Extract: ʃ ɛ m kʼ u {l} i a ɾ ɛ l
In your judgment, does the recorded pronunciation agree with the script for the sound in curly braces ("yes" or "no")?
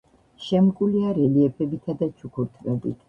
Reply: yes